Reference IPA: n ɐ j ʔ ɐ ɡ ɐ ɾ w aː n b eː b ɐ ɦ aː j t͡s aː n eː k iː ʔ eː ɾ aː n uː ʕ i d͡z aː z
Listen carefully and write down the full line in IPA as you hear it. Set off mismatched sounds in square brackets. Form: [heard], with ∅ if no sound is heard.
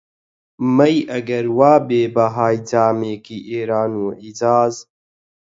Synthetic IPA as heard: [m] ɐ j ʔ ɐ ɡ ɐ ɾ w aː [∅] b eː b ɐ ɦ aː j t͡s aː [m] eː k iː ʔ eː ɾ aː n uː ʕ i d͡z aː z

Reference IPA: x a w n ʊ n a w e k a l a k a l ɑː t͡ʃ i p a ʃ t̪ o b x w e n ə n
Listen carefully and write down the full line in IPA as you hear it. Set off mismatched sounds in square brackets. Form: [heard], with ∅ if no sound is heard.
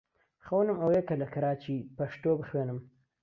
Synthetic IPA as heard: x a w n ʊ [m] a w e k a l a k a [ɾ] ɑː t͡ʃ i p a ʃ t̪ o b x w e n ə [m]

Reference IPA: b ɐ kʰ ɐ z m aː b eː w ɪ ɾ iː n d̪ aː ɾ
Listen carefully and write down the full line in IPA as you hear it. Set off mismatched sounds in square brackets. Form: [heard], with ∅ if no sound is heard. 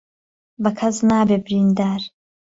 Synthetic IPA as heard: b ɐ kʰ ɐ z [n] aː b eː [b] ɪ ɾ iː n d̪ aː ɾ

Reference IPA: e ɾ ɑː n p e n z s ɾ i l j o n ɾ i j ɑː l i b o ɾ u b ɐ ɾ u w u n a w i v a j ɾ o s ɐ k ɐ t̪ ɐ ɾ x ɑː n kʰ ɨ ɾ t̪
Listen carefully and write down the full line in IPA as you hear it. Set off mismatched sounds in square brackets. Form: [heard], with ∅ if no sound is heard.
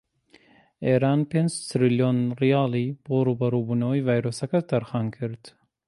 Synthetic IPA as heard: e ɾ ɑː n p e n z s ɾ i l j o n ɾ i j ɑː l i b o ɾ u b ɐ ɾ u [b] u n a w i v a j ɾ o s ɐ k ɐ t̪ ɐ ɾ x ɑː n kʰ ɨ ɾ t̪

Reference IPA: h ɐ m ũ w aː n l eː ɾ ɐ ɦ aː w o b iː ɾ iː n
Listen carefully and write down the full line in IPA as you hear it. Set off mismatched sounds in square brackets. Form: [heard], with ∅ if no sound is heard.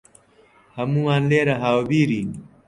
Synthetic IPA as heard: h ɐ m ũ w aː n l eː ɾ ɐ ɦ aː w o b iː ɾ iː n

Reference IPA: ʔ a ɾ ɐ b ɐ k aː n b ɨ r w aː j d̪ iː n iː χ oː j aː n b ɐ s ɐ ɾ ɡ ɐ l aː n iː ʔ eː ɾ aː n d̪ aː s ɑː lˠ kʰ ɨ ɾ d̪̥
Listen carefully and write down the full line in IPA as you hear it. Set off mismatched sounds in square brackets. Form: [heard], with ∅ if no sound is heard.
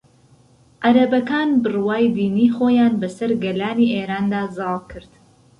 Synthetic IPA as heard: ʔ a ɾ ɐ b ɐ k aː n b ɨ r w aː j d̪ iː n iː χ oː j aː n b ɐ s ɐ ɾ ɡ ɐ l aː n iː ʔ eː ɾ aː n d̪ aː [z] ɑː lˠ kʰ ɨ ɾ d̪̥

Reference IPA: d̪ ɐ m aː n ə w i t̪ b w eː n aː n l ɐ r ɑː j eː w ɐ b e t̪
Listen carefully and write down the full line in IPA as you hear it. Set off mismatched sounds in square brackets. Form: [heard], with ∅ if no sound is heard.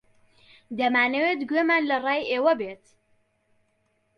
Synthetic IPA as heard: d̪ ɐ m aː n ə w [e] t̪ [ɡ] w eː [m] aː n l ɐ r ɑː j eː w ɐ b e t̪

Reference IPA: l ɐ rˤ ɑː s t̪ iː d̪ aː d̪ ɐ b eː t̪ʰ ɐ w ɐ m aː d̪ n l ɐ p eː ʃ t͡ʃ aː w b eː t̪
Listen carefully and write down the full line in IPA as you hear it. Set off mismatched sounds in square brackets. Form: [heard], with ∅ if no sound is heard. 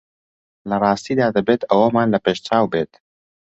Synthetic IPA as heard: l ɐ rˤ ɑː s t̪ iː d̪ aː d̪ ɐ b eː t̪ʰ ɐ w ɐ m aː [∅] n l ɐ p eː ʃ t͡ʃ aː w b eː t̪

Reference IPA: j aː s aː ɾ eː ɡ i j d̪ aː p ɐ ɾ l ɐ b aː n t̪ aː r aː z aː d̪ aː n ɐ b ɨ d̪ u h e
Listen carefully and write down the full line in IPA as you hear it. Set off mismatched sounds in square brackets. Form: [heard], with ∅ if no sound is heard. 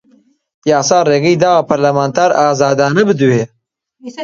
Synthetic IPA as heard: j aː s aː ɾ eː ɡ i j d̪ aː p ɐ ɾ l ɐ [m] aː n t̪ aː [ɾ] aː z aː d̪ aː n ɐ b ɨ d̪ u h e

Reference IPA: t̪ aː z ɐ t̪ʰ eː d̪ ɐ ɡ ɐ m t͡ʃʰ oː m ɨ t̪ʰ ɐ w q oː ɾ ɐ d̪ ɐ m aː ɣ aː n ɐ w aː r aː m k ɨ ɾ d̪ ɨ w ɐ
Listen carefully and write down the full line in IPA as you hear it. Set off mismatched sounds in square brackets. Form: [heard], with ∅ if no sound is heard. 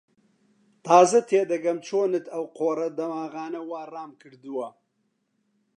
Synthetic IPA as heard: t̪ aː z ɐ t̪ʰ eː d̪ ɐ ɡ ɐ m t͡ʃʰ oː [n] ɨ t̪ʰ ɐ w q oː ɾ ɐ d̪ ɐ m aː ɣ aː n ɐ w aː r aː m k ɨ ɾ d̪ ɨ w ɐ

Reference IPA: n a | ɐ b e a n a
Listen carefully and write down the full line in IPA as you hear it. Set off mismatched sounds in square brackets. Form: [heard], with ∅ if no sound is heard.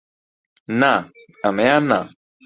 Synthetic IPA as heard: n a | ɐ [m] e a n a

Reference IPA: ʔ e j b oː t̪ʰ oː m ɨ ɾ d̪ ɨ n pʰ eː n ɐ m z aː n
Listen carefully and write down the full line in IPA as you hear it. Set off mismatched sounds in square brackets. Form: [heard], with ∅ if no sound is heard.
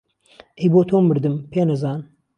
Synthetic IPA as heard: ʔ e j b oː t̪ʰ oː m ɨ ɾ d̪ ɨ [m] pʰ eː n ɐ [∅] z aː n

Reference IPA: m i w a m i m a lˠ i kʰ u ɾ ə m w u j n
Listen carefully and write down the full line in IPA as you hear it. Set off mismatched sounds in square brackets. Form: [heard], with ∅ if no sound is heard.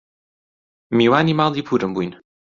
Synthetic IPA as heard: m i w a [n] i m a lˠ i [pʰ] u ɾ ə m [b] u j n

